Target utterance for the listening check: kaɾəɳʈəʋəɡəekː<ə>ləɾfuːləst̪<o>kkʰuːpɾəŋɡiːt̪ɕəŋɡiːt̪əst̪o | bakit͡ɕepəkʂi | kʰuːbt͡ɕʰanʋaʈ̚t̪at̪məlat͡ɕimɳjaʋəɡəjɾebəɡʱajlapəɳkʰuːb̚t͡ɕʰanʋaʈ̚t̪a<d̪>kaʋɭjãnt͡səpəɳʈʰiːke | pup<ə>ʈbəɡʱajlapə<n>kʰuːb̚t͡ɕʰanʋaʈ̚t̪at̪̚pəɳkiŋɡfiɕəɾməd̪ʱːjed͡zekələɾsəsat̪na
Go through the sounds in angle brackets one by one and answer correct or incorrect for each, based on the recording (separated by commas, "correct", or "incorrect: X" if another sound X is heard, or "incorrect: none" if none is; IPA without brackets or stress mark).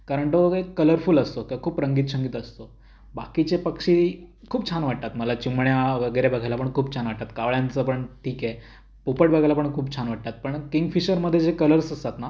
correct, correct, incorrect: t̪, correct, incorrect: ɳ